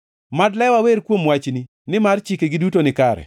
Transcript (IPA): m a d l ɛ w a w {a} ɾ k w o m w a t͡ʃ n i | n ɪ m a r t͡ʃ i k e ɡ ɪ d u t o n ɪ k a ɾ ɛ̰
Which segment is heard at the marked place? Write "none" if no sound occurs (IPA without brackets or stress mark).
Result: e